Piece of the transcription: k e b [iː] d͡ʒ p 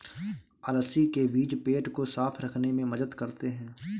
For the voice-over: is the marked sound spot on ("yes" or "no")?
yes